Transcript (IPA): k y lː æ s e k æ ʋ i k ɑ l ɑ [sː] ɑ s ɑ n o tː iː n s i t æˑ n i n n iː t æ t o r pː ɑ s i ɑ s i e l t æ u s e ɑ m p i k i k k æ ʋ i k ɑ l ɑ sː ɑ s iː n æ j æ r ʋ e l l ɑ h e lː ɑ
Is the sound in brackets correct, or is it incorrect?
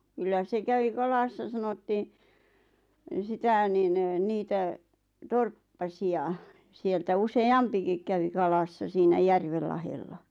correct